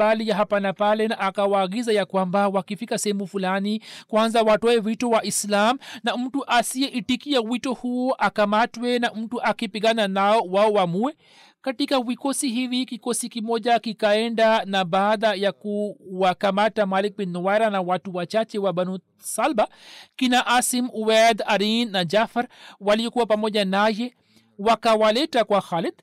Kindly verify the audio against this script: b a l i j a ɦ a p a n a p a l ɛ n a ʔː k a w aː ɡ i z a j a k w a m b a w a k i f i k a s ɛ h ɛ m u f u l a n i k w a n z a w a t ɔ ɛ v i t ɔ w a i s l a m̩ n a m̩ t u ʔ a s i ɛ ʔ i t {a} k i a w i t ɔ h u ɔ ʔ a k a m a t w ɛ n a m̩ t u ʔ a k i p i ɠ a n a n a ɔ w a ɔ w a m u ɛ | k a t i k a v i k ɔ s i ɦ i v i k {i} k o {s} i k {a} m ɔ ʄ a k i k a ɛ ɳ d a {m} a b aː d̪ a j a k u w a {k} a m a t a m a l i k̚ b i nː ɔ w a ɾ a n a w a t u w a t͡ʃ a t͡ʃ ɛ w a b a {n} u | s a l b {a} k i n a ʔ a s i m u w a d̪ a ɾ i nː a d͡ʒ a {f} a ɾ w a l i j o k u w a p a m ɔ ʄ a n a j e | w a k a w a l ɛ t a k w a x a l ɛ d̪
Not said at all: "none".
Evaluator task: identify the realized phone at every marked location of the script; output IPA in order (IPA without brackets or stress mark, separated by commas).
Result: i, i, s, i, n, k, n, a, f